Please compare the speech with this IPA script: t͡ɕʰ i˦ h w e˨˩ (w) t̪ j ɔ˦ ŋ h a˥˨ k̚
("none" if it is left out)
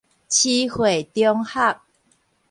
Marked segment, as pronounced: none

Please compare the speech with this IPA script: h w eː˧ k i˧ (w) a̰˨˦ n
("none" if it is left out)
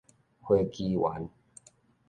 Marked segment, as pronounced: w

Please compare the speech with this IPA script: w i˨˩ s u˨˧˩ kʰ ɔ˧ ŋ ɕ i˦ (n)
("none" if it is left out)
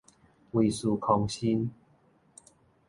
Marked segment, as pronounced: n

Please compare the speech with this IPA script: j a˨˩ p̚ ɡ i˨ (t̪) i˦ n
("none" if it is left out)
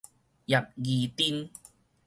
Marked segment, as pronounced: t̪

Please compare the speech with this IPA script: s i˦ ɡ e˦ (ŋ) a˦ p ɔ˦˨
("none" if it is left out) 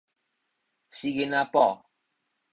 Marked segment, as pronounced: n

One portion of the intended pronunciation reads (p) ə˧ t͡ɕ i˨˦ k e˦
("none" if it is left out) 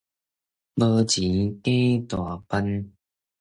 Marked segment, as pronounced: b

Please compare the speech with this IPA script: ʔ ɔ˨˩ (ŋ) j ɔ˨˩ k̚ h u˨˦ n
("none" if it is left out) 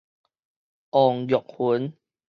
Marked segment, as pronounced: ŋ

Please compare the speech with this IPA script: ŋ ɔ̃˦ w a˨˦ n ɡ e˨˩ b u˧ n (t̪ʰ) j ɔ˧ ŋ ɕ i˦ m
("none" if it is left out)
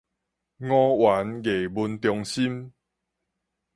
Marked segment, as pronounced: t̪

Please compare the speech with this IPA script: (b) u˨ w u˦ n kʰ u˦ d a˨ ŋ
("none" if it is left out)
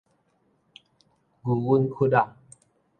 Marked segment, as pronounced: ɡ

